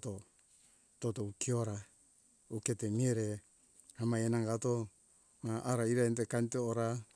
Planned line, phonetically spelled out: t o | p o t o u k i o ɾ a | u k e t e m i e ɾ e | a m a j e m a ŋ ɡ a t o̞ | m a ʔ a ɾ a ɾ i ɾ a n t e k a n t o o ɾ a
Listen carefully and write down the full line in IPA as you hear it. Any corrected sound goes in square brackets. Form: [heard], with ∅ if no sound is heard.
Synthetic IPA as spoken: t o | [t] o t o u k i o ɾ a | u k e t e m i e ɾ e | a m a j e [n] a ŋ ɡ a t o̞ | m a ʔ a ɾ a [∅] i ɾ a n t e k a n t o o ɾ a